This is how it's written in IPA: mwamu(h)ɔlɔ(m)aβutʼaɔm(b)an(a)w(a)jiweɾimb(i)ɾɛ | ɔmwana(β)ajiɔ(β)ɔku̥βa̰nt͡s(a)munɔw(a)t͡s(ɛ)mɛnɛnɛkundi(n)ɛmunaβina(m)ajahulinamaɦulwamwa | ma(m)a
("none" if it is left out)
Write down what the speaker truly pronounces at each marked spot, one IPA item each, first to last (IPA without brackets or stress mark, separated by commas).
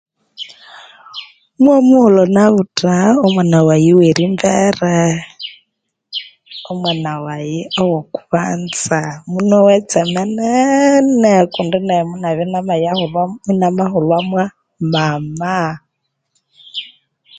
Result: h, n, w, a, a, ɛ, w, w, a, ɛ, ɛ, n, m, m